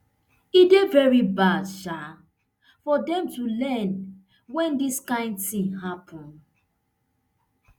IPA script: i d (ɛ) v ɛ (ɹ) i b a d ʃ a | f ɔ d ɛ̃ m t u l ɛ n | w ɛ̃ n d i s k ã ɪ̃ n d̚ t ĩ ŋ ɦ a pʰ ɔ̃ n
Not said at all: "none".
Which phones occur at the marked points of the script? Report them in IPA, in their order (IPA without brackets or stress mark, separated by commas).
e, ɹ